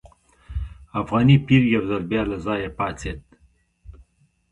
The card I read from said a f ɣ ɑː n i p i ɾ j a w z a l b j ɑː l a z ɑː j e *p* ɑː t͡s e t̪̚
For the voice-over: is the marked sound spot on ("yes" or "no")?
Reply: yes